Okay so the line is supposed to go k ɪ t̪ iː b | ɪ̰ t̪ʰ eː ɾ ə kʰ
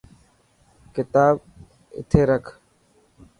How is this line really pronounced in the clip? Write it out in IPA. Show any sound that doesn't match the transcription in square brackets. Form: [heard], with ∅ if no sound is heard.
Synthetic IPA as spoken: k ɪ t̪ [aː] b | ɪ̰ t̪ʰ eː ɾ ə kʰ

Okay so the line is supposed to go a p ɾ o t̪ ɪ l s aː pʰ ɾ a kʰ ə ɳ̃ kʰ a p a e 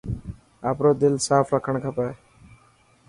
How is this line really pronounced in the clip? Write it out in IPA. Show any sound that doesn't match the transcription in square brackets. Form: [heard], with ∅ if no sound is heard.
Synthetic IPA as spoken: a p ɾ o [d̪] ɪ l s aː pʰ ɾ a kʰ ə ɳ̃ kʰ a p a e

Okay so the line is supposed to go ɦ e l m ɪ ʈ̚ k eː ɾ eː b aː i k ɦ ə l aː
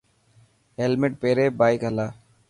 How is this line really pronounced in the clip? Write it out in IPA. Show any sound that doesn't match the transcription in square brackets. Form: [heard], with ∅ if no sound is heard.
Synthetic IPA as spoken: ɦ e l m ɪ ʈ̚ [p] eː ɾ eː b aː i k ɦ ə l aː

